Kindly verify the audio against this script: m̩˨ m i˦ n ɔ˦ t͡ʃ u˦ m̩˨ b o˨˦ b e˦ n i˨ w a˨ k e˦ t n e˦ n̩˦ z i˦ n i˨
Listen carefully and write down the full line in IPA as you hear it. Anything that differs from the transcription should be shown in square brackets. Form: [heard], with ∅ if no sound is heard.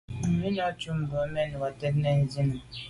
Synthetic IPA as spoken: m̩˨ m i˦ n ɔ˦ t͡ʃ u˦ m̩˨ b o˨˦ [m] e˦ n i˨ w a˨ [t] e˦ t n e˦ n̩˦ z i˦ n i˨